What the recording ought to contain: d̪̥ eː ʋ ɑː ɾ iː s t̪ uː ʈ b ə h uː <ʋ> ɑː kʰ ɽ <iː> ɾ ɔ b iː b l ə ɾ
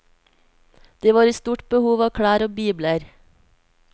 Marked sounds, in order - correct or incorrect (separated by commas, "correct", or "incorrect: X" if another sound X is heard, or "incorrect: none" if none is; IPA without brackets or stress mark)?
correct, incorrect: æː